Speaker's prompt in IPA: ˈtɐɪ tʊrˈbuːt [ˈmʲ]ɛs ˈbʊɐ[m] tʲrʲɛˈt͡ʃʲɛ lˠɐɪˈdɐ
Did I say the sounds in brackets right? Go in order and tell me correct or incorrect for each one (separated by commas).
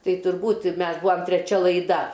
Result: correct, correct